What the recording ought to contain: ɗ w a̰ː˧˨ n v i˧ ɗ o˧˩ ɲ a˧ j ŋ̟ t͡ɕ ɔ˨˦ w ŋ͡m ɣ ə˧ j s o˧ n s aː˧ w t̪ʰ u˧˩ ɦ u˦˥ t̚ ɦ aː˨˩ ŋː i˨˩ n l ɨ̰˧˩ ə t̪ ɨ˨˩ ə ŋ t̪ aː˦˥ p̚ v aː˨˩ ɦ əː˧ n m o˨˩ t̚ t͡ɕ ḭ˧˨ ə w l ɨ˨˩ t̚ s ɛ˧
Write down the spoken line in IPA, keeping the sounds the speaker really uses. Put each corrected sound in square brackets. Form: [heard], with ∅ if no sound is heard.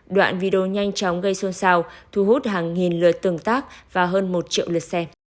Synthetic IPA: ɗ w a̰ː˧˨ n v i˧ ɗ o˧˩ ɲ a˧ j ŋ̟ t͡ɕ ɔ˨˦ w ŋ͡m ɣ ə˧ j s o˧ n s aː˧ w t̪ʰ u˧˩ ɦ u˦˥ t̚ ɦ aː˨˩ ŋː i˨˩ n l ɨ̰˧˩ ə t̪ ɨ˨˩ ə ŋ t̪ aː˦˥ [k̚] v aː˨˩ ɦ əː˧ n m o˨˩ t̚ t͡ɕ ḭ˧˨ ə w l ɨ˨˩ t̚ s ɛ˧